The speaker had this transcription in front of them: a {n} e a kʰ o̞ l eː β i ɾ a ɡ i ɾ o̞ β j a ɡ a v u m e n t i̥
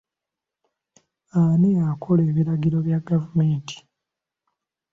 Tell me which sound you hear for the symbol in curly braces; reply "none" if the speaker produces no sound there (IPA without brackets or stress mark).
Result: n